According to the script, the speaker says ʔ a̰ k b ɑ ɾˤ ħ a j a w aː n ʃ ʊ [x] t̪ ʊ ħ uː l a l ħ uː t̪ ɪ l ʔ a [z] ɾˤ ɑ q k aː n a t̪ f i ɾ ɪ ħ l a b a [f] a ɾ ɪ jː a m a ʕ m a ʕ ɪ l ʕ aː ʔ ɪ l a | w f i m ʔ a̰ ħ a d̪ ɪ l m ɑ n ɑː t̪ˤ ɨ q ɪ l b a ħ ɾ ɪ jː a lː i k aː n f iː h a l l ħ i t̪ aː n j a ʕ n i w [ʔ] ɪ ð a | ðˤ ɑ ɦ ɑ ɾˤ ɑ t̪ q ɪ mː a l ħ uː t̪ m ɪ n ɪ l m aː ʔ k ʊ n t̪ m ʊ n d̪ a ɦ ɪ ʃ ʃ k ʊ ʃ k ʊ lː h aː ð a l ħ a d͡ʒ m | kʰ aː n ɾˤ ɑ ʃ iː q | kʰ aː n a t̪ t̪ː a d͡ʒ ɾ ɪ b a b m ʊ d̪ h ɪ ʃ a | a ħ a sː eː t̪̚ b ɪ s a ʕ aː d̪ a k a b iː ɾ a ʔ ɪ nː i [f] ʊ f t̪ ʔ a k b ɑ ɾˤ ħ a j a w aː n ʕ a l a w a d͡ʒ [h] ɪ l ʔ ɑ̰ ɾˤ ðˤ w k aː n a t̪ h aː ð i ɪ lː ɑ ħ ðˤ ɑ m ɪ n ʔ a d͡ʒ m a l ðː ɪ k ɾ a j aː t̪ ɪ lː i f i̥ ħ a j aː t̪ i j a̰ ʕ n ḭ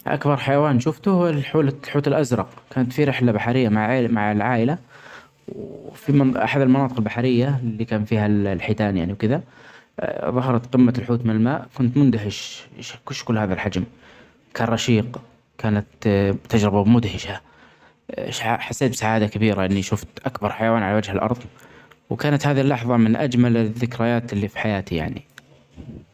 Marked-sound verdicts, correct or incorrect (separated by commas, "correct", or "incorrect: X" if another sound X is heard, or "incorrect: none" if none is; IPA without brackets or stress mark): incorrect: f, correct, incorrect: ħ, incorrect: k, incorrect: ʃ, correct